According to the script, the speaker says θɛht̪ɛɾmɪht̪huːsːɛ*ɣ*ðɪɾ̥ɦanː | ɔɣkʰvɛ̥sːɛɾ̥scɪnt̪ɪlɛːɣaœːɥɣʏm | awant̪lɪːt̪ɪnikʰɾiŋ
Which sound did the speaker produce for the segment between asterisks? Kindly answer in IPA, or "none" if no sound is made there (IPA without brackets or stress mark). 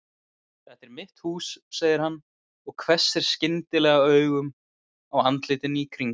ɣ